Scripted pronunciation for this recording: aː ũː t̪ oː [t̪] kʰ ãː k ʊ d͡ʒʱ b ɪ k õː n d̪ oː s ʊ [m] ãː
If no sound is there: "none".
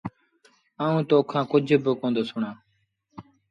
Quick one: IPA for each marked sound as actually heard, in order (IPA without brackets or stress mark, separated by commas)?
none, ɳ